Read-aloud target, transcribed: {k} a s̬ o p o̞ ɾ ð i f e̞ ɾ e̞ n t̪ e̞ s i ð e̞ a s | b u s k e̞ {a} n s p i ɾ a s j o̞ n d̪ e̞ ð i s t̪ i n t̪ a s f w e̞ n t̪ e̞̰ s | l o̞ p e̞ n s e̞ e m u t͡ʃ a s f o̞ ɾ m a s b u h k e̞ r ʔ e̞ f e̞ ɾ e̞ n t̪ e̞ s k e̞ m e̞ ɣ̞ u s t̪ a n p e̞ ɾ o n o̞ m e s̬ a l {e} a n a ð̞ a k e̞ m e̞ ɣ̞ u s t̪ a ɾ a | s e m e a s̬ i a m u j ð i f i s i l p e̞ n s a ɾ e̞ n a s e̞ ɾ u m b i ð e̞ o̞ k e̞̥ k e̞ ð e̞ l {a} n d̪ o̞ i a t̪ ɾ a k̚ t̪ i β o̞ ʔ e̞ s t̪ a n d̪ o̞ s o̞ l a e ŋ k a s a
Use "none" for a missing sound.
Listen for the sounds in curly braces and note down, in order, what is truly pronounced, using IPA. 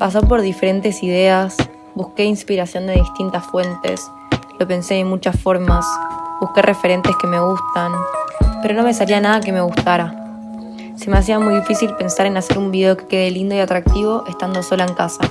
p, i, i, i

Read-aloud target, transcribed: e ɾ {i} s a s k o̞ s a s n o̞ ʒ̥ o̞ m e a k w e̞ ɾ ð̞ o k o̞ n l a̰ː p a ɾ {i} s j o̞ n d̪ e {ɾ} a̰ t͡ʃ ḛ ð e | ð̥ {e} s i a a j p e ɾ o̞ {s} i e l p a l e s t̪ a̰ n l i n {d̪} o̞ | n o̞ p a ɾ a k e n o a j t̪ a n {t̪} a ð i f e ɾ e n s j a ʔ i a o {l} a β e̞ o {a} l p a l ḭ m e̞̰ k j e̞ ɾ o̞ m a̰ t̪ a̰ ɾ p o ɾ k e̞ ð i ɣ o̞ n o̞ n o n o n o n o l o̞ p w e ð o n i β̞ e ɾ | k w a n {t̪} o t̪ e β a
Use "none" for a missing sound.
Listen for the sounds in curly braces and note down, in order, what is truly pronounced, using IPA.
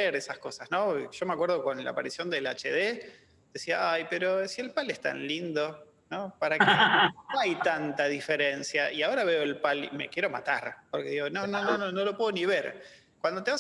e, i, l, e, s, d̪, t̪, ɾ, e, d̪

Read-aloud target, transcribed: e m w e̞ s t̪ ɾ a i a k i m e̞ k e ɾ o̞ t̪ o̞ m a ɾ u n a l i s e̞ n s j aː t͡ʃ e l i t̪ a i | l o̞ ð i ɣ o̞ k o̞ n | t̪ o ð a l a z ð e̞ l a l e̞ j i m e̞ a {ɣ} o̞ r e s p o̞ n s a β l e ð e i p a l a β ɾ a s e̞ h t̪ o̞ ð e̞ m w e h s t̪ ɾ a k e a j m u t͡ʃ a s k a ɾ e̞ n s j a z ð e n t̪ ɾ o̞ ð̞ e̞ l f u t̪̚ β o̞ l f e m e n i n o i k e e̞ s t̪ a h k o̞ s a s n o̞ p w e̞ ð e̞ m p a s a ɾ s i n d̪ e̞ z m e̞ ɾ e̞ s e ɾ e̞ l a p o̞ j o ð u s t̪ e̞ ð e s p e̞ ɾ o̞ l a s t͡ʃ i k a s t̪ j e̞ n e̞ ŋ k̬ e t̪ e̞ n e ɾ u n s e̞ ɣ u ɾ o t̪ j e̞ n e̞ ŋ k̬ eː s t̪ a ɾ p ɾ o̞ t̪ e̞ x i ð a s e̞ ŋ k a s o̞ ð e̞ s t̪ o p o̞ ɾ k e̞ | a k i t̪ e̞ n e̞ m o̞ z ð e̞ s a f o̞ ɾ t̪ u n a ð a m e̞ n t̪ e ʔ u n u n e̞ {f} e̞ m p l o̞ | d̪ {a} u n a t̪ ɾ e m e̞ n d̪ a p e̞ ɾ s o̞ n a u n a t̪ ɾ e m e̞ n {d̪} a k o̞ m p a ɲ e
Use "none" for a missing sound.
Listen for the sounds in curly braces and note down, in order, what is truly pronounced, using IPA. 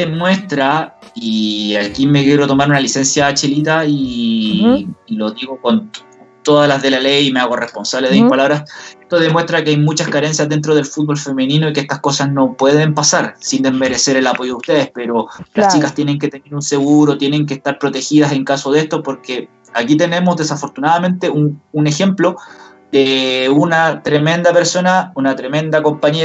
ɣ, x, e, d̪

